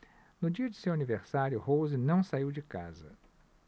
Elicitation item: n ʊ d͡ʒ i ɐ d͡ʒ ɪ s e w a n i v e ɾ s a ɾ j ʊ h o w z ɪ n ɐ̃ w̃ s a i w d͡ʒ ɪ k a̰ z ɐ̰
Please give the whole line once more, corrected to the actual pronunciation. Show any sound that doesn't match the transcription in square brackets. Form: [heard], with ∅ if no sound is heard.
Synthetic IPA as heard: n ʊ d͡ʒ i ɐ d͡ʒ ɪ s e w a n i v e ɾ s a ɾ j ʊ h o w z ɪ n ɐ̃ w̃ s a i w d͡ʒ ɪ k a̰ z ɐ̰